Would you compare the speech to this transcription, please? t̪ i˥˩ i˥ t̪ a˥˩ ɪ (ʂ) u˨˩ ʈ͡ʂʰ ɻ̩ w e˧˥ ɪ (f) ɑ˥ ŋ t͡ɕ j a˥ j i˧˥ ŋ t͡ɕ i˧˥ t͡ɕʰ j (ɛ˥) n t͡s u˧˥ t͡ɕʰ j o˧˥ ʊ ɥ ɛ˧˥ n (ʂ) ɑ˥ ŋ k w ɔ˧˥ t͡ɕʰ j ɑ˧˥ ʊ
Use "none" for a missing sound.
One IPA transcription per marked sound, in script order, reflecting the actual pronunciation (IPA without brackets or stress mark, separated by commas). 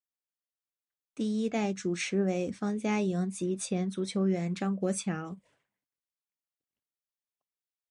ʈ͡ʂ, f, ɛ˧˥, ʈ͡ʂ